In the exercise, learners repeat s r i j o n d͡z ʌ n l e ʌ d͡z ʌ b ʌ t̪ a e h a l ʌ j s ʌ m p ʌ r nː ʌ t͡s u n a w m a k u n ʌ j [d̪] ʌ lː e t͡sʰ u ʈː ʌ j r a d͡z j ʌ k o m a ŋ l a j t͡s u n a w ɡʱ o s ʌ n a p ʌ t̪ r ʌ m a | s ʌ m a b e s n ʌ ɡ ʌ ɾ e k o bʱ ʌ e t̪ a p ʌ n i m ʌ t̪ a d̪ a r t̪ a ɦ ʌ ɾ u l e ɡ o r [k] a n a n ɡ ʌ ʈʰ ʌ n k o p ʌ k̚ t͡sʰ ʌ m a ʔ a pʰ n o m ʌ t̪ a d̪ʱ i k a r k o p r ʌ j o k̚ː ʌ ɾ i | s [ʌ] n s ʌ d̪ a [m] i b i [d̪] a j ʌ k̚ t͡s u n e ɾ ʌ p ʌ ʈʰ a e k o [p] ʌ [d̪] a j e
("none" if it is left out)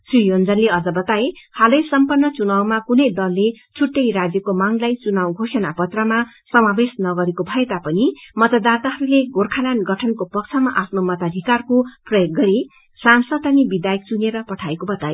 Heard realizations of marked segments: d̪, kʰ, a, n, d̪, b, t̪

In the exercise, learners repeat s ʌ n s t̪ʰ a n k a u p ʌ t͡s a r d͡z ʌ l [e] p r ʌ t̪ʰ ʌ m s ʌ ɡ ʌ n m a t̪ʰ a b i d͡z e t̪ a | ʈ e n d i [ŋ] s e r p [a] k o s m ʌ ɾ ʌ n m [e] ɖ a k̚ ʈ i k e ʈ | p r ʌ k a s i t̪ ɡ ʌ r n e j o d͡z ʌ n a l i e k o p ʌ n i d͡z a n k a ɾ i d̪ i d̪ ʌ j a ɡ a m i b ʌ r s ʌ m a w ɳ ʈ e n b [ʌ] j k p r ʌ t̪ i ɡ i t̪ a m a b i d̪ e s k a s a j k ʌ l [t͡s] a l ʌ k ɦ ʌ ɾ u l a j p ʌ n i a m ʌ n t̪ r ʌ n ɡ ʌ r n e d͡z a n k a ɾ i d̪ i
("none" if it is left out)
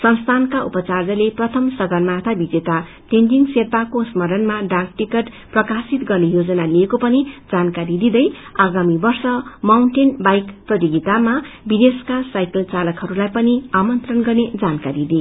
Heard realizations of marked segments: e, ŋ, a, a, a, t͡s

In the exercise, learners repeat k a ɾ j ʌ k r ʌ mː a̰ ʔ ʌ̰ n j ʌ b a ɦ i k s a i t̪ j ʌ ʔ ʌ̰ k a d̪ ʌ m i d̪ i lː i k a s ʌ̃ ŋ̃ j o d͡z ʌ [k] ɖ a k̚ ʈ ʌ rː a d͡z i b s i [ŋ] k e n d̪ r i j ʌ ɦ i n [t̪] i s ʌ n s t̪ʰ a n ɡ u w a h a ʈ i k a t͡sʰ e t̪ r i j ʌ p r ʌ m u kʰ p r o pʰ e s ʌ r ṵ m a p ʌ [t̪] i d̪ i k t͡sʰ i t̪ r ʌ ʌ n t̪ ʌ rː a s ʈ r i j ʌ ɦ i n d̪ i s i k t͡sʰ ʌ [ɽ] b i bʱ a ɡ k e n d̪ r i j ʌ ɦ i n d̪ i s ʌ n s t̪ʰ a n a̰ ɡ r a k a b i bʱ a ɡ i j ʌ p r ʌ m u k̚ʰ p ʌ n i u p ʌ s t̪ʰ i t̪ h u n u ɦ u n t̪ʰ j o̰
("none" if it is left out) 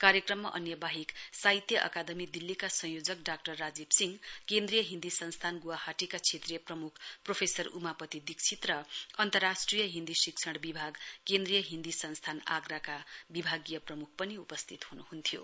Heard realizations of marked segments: k, ŋ, d̪, t̪, ɽ

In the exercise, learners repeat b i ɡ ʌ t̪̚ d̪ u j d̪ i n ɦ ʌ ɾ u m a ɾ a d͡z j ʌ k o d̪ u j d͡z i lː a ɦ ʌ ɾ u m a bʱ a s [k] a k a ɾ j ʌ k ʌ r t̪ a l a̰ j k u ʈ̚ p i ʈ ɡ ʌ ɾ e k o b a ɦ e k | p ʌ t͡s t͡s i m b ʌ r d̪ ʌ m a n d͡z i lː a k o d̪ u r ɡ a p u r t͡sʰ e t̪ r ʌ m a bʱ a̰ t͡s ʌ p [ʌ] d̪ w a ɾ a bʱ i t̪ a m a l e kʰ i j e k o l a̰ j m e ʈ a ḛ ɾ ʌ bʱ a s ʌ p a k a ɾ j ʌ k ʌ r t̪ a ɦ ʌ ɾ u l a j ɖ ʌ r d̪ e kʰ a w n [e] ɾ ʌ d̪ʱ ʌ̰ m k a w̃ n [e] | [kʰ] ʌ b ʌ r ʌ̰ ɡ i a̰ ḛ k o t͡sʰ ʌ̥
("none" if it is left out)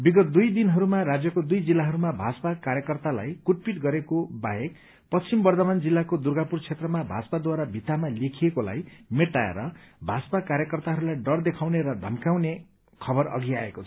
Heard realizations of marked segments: p, a, e, e, kʰ

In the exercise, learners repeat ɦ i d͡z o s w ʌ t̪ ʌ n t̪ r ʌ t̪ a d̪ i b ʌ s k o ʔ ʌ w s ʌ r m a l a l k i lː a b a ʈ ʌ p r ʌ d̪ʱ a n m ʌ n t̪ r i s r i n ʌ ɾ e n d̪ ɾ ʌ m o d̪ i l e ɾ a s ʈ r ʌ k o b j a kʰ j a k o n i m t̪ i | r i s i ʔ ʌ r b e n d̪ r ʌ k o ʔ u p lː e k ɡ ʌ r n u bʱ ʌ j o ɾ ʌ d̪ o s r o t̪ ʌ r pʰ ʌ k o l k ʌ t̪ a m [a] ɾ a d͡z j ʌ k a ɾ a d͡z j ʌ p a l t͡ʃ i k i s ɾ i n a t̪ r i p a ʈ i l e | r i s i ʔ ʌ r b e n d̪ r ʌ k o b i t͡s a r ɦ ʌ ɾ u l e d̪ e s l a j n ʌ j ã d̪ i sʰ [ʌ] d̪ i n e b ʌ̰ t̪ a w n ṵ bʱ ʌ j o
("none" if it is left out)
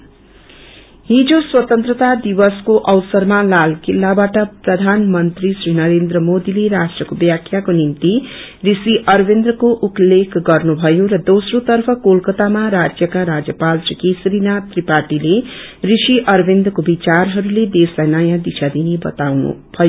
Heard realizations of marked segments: a, a

